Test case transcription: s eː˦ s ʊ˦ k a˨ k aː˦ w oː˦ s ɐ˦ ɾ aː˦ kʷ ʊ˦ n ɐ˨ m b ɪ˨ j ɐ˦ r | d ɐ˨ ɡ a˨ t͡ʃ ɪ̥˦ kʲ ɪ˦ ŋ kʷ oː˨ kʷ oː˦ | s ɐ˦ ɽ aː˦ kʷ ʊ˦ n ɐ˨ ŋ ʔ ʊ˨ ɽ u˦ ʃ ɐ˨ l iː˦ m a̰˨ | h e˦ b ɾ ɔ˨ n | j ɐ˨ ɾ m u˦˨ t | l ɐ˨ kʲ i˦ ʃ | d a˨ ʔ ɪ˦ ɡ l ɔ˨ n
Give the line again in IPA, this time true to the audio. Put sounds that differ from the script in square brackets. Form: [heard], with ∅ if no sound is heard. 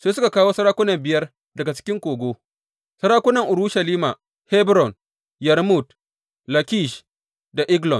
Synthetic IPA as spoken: s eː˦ s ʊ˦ k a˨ k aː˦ w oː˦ s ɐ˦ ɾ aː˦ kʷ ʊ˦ n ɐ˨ m b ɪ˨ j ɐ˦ r | d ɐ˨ ɡ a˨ t͡ʃ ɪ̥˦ kʲ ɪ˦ ŋ kʷ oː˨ [ɡʷ] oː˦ | s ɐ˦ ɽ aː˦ kʷ ʊ˦ n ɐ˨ ŋ ʔ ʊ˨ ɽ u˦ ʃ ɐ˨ l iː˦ m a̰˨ | h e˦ b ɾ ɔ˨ n | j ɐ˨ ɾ m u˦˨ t | l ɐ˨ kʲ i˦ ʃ | d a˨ ʔ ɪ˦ ɡ l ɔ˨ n

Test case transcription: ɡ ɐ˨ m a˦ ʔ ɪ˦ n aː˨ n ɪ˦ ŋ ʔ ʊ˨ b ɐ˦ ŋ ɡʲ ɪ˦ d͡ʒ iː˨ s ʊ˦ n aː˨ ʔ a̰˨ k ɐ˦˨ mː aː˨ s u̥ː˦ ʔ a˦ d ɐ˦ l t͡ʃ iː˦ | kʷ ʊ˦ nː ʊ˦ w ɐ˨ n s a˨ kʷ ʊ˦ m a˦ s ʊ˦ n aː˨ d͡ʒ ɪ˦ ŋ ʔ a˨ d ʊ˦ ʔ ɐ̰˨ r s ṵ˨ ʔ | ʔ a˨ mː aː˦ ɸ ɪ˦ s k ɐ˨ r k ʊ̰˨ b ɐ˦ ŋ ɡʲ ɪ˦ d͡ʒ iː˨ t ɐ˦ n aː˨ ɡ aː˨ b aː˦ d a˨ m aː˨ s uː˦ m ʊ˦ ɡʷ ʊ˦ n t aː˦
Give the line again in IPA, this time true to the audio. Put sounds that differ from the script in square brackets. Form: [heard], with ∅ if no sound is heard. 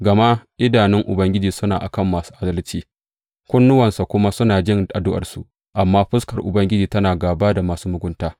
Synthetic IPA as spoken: ɡ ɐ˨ m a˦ ʔ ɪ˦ [d] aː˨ n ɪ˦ ŋ ʔ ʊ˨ b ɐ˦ ŋ ɡʲ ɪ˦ d͡ʒ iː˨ s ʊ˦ n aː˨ ʔ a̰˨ k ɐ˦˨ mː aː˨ s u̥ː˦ ʔ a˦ d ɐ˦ l t͡ʃ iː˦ | kʷ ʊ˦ nː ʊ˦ w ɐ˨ n s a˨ kʷ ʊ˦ m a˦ s ʊ˦ n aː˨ d͡ʒ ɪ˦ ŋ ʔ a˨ d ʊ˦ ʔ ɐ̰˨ r s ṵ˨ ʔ | ʔ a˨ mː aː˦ ɸ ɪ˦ s k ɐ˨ r [ʔ] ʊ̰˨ b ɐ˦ ŋ ɡʲ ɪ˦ d͡ʒ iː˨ t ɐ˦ n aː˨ ɡ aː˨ b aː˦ d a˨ m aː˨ s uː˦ m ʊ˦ ɡʷ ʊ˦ n t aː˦

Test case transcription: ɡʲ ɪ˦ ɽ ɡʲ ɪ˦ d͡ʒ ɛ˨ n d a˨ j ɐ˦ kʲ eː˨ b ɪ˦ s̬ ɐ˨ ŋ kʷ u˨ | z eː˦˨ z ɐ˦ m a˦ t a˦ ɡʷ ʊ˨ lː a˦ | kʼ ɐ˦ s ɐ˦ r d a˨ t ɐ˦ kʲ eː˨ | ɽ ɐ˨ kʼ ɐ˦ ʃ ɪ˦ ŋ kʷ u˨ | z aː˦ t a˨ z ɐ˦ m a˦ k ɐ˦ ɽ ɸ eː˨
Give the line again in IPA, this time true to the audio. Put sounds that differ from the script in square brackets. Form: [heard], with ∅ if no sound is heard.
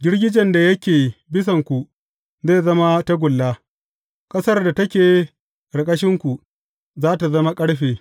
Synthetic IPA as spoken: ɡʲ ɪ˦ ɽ ɡʲ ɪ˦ d͡ʒ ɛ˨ n d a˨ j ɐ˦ kʲ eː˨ b ɪ˦ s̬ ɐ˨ ŋ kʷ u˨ | z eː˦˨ z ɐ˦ m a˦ t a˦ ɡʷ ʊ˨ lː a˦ | kʼ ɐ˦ s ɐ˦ r d a˨ t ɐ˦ kʲ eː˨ | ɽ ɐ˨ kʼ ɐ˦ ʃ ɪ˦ ŋ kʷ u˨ | z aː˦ t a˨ z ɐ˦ m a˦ [kʼ] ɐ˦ ɽ ɸ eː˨

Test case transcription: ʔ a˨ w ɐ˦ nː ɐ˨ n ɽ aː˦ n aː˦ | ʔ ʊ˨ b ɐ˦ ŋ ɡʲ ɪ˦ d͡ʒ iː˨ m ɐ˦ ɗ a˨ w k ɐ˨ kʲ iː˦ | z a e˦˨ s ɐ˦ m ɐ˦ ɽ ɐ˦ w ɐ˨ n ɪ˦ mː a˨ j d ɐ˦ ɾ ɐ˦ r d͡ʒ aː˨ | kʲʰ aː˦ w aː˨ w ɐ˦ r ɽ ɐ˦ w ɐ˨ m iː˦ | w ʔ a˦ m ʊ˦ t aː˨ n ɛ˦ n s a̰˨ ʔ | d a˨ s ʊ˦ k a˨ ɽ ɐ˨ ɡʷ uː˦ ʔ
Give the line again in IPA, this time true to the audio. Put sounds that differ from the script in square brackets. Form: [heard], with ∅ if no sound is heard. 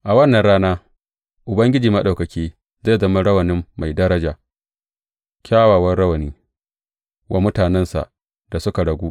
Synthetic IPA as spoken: ʔ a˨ w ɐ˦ nː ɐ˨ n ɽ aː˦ n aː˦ | ʔ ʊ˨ b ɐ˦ ŋ ɡʲ ɪ˦ d͡ʒ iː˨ m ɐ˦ ɗ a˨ w k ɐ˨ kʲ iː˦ | z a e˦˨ [z] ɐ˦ m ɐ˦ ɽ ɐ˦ w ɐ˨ n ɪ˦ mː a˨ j d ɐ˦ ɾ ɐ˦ [∅] d͡ʒ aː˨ | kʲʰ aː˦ w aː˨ w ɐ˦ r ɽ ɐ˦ w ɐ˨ [n] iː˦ | w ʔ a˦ m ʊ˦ t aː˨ n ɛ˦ n s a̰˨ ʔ | d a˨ s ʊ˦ k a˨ ɽ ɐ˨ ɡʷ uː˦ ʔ

